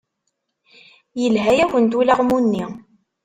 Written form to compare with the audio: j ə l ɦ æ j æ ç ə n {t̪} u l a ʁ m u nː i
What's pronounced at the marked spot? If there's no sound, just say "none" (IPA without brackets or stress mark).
t̪